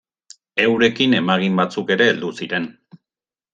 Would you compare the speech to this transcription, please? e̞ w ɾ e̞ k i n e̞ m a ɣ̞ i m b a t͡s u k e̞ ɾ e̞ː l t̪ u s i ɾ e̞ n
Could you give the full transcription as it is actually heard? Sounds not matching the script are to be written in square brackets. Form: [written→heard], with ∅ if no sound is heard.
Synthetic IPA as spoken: e̞ w ɾ e̞ k i n e̞ m a ɣ̞ i m b a t͡s u k e̞ ɾ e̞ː l [t̪→d̪] u s i ɾ e̞ n